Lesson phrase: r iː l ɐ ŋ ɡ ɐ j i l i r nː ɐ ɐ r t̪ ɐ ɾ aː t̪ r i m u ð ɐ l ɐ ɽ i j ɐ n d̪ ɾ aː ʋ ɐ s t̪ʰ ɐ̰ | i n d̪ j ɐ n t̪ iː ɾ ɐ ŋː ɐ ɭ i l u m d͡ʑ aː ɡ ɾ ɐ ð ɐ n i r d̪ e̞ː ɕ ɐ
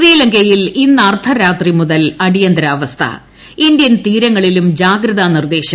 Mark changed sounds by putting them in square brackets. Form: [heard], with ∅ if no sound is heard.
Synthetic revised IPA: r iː l ɐ ŋ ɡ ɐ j i l i [∅] nː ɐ ɐ r [t̪ʰ] ɐ ɾ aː t̪ r i m u ð ɐ l ɐ ɽ i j ɐ n d̪ ɾ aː ʋ ɐ s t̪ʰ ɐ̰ | i n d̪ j ɐ n t̪ iː ɾ ɐ ŋː ɐ ɭ i l u m d͡ʑ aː ɡ ɾ ɐ ð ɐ n i r d̪ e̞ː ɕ ɐ